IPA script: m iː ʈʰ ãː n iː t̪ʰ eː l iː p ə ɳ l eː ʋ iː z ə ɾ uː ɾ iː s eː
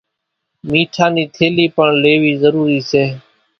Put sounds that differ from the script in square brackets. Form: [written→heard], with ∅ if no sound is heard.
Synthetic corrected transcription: m iː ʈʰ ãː n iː t̪ʰ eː l iː p ə ɳ l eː ʋ iː z ə ɾ uː ɾ iː s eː